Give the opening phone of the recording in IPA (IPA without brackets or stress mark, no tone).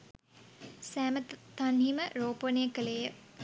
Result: s